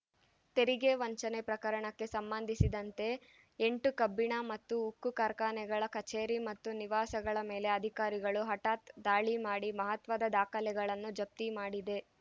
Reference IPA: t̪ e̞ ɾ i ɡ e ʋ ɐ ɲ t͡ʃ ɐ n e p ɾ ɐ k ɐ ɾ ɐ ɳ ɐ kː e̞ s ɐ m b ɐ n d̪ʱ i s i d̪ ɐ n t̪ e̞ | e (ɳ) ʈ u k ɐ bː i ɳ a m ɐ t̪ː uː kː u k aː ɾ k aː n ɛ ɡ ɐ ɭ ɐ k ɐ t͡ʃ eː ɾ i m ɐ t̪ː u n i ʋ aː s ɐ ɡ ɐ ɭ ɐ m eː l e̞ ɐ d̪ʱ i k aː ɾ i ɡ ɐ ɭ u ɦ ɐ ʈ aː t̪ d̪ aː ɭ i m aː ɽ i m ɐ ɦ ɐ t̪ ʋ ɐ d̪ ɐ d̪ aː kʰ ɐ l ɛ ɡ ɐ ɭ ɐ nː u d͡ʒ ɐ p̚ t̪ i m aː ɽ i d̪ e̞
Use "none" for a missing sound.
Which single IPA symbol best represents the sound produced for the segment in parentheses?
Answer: ɳ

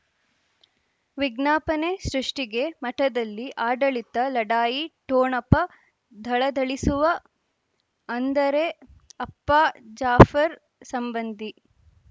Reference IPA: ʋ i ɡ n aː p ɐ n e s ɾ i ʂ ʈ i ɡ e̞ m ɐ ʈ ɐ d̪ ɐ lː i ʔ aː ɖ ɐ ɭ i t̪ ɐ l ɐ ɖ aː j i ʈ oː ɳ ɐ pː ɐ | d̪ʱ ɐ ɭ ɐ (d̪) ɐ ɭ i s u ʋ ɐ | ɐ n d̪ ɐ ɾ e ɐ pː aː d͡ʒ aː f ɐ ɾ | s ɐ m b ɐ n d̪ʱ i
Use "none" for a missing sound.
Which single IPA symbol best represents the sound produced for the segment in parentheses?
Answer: d̪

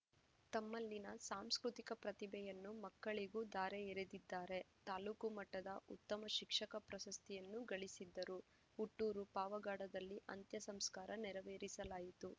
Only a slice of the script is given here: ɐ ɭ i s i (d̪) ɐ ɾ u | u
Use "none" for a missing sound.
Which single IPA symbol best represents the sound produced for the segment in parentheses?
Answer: d̪ː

